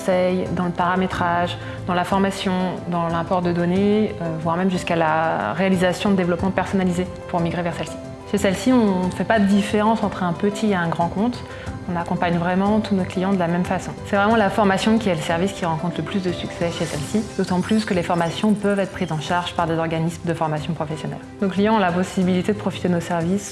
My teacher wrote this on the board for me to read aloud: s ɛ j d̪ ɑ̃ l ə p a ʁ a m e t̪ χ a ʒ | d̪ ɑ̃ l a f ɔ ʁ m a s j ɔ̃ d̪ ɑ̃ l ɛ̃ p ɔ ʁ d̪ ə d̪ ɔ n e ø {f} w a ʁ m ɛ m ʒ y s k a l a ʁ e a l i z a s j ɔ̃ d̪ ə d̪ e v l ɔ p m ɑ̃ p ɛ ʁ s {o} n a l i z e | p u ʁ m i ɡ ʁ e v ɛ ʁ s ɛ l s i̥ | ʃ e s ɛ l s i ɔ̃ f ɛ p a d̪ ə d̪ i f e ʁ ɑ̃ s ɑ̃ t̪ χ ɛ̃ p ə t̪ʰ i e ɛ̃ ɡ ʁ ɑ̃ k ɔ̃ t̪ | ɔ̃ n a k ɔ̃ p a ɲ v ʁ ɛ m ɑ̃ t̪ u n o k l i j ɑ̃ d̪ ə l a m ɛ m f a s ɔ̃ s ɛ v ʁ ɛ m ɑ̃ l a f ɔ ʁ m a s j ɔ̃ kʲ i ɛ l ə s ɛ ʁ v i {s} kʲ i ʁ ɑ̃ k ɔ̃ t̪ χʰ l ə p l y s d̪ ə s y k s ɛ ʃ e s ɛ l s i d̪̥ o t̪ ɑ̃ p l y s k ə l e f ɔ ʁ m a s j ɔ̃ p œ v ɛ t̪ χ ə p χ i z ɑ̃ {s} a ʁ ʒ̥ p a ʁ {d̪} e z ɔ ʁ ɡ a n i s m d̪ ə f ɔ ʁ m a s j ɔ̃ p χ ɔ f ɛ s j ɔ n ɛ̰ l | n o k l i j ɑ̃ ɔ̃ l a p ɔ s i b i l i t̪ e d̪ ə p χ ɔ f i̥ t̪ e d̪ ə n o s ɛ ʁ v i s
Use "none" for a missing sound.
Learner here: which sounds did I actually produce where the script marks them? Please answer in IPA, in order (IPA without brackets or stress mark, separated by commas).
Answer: v, ɔ, s, ʃ, d̪